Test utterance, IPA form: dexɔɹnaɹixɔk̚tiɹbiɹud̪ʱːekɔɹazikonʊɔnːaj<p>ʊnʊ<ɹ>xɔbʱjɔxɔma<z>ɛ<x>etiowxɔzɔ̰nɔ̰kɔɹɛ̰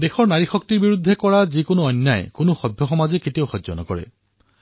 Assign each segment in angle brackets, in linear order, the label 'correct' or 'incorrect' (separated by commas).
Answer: incorrect, incorrect, correct, incorrect